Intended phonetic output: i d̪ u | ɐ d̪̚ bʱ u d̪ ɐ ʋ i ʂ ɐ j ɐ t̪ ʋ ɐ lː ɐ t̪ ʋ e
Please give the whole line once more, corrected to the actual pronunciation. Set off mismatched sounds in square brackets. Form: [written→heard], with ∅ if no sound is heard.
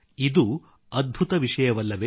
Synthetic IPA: i d̪ u | ɐ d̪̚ bʱ u [d̪→t̪] ɐ ʋ i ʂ ɐ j ɐ [t̪→∅] ʋ ɐ lː ɐ [t̪→∅] ʋ e